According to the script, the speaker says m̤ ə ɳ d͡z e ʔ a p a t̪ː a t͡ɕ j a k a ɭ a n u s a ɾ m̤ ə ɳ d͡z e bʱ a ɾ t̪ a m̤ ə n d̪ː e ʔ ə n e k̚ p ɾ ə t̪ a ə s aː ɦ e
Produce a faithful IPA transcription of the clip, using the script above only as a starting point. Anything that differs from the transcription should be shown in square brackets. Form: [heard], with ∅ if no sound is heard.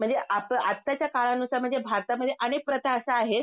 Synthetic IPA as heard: m̤ ə ɳ d͡z e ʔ a p a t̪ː a t͡ɕ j a k a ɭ a n u s a ɾ m̤ ə ɳ d͡z e bʱ a ɾ t̪ a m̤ ə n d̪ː e ʔ ə n e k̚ p ɾ ə t̪ a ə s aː ɦ e